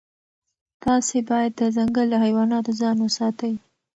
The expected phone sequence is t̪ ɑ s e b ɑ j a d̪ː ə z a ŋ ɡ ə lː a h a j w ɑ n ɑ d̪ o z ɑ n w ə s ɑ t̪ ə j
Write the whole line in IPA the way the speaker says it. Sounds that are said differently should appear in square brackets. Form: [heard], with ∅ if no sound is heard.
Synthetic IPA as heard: t̪ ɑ s e b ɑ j a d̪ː ə z a ŋ ɡ ə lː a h a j w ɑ n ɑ [t̪] o z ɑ n w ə s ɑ t̪ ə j